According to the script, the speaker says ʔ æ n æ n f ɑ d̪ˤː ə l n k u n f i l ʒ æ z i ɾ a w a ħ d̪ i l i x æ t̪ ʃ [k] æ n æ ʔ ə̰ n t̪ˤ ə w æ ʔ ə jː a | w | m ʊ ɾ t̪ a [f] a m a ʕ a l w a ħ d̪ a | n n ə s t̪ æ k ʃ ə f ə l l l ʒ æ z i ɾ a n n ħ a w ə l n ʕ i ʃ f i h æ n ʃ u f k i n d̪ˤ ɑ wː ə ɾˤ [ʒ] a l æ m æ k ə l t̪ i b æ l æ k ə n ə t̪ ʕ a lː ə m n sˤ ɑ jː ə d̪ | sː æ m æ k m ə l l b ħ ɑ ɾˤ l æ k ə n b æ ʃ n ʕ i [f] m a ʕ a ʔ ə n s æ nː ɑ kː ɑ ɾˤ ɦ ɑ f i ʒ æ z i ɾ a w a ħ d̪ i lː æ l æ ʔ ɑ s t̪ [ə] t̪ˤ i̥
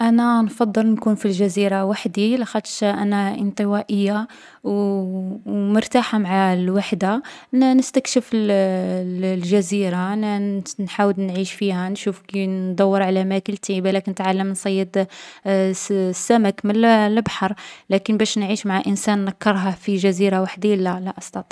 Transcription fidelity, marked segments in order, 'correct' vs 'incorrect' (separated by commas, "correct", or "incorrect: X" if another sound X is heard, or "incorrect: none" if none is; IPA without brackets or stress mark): incorrect: ʔ, incorrect: ħ, incorrect: ʕ, incorrect: ʃ, incorrect: ɑ